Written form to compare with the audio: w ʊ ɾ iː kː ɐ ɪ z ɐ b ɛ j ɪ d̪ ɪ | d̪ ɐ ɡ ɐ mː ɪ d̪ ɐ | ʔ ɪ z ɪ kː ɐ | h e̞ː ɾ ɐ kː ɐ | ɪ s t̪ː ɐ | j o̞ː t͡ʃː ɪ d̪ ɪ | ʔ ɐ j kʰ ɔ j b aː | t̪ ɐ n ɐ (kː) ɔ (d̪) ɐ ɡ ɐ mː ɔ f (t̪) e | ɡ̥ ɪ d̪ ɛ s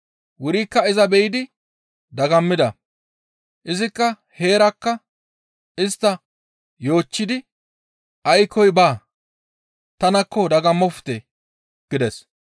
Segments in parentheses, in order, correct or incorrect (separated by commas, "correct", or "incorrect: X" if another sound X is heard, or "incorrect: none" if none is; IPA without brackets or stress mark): correct, correct, correct